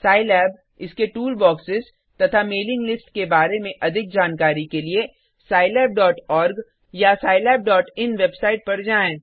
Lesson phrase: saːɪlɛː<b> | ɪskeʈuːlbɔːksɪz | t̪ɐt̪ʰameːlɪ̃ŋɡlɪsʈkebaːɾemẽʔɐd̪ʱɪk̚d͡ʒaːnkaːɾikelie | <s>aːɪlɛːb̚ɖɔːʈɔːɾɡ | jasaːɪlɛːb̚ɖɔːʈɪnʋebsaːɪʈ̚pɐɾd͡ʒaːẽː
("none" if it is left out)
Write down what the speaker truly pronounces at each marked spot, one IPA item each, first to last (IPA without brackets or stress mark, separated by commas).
b, s